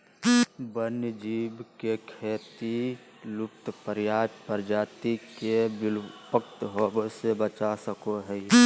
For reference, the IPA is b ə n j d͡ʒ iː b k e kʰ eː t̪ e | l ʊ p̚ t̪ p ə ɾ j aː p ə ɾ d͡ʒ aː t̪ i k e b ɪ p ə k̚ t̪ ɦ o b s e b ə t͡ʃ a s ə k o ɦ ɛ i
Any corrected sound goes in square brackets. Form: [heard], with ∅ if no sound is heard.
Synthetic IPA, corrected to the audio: b ə n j d͡ʒ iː b k e kʰ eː t̪ [i] | l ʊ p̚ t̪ p ə ɾ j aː p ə ɾ d͡ʒ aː t̪ i k e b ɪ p ə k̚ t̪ ɦ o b s e b ə t͡ʃ a s ə k o ɦ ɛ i